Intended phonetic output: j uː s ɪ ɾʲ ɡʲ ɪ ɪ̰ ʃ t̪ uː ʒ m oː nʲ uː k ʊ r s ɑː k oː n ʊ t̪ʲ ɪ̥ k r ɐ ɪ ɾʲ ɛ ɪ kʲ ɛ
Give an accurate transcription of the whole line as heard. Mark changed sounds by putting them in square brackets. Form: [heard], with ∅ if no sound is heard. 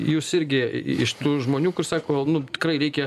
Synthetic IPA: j uː s ɪ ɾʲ ɡʲ ɪ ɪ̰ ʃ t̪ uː ʒ m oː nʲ uː k ʊ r s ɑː k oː n ʊ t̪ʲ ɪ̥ k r ɐ ɪ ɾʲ ɛ ɪ kʲ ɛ